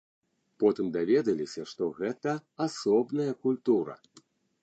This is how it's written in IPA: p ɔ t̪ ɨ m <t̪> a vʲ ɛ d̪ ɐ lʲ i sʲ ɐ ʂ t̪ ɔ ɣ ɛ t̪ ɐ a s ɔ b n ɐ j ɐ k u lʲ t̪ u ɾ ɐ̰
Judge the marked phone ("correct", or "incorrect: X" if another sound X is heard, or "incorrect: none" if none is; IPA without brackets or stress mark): incorrect: d̪